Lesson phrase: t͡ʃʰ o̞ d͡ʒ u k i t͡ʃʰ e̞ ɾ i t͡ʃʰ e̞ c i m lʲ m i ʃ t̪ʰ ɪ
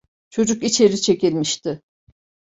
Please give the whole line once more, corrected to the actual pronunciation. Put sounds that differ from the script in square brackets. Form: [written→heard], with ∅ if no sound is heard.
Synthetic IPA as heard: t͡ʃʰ o̞ d͡ʒ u k i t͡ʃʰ e̞ ɾ i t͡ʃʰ e̞ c i [m→∅] lʲ m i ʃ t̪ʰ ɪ